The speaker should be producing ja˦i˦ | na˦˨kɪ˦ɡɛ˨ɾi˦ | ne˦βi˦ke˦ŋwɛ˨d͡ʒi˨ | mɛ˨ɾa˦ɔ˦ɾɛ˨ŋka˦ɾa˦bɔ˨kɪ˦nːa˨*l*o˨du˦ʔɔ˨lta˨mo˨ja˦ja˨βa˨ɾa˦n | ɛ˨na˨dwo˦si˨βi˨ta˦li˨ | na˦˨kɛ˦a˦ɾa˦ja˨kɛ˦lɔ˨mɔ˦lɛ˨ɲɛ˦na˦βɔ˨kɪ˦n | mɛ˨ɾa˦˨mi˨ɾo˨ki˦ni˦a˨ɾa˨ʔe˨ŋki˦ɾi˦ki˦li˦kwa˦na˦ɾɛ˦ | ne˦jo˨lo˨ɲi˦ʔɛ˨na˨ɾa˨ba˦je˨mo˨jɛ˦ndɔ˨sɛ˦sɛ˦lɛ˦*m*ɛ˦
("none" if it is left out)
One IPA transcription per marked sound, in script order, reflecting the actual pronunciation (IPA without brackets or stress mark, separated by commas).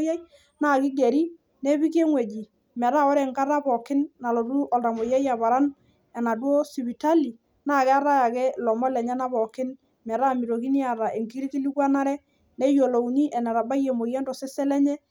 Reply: l, ɲ